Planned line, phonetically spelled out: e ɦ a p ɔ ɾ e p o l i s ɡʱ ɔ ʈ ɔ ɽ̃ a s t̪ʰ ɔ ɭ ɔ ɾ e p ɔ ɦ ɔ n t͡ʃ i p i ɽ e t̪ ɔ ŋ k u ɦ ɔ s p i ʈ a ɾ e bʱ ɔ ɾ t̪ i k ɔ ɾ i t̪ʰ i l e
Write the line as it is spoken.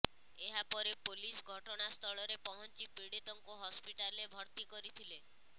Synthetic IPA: e ɦ a p ɔ ɾ e p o l i s ɡʱ ɔ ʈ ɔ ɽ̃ a s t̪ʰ ɔ ɭ ɔ ɾ e p ɔ ɦ ɔ n t͡ʃ i p i ɽ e t̪ ɔ ŋ k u ɦ ɔ s p i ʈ a l e bʱ ɔ ɾ t̪ i k ɔ ɾ i t̪ʰ i l e